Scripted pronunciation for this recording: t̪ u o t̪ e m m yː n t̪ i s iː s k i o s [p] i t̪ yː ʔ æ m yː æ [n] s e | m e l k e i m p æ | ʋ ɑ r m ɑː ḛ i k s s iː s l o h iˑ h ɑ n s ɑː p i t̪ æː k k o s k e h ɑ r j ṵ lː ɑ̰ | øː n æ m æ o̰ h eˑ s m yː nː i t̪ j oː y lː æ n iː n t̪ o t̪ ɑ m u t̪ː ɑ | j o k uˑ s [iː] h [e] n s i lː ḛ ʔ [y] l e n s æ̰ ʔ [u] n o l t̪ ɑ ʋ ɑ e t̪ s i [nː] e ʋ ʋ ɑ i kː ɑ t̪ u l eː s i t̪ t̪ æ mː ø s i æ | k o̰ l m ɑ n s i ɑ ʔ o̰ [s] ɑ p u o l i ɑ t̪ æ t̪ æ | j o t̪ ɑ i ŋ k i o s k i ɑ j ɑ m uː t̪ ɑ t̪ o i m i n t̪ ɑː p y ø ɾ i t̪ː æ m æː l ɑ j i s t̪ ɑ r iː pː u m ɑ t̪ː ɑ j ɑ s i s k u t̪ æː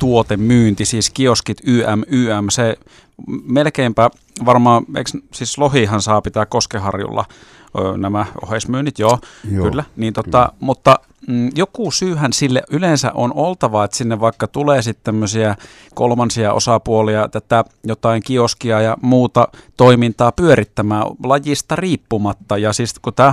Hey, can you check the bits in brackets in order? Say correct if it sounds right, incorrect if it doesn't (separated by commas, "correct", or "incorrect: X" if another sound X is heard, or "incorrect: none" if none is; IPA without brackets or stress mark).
incorrect: k, incorrect: m, incorrect: yː, incorrect: æ, correct, incorrect: o, correct, correct